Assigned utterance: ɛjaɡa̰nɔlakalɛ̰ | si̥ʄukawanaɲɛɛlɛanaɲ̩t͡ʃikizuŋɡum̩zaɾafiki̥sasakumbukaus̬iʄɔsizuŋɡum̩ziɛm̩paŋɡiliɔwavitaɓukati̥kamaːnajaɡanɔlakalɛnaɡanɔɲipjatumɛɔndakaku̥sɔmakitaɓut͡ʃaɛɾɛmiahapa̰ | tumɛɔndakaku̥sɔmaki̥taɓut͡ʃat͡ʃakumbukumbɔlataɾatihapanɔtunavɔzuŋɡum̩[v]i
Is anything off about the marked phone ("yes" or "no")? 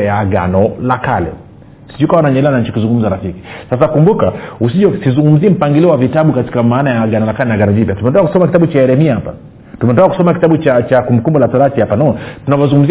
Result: yes